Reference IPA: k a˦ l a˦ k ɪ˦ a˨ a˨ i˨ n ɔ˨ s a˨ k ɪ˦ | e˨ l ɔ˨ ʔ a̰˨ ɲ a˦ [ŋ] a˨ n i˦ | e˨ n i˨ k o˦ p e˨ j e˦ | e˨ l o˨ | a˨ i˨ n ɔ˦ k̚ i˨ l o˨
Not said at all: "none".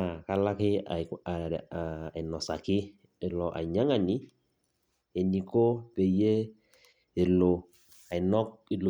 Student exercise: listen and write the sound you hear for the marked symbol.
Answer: ŋ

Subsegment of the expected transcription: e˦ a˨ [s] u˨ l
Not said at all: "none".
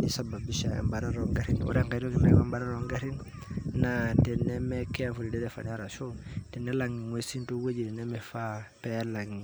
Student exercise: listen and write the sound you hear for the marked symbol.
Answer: f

